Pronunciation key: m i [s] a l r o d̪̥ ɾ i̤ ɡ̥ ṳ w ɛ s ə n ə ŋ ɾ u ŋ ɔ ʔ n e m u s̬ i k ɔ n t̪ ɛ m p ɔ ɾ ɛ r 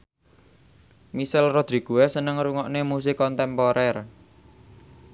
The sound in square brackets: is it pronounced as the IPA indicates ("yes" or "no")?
yes